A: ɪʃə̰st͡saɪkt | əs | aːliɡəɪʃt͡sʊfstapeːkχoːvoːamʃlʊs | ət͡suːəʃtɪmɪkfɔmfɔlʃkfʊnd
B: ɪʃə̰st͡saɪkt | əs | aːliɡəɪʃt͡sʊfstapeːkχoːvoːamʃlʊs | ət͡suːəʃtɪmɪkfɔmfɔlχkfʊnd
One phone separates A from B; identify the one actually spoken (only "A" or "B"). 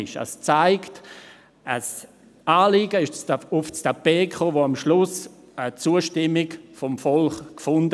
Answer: B